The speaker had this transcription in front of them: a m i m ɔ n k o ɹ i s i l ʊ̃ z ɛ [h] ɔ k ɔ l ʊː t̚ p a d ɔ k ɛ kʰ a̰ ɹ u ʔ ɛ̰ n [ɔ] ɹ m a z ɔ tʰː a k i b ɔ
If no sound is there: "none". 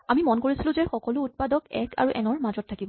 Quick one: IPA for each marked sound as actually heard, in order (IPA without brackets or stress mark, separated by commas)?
x, ɔ